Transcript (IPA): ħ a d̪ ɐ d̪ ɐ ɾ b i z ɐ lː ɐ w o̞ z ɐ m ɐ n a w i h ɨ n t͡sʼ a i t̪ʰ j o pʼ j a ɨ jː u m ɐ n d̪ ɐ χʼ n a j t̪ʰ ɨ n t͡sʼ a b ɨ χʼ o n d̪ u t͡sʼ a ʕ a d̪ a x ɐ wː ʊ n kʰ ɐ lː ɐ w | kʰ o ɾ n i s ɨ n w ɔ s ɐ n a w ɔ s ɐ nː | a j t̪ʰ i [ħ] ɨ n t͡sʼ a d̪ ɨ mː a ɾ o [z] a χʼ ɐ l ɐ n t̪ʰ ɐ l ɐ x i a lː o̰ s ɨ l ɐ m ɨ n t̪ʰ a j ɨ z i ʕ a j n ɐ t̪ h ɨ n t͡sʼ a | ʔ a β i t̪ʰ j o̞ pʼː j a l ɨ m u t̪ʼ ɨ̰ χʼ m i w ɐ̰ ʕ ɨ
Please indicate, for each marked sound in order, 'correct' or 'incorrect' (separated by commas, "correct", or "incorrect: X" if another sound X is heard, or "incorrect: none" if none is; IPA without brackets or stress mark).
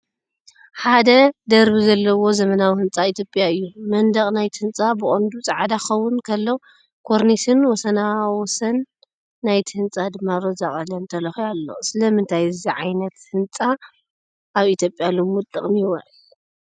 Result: incorrect: h, correct